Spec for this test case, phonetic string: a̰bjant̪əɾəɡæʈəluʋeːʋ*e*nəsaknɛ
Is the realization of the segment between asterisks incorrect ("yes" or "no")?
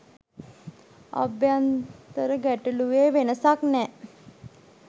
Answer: no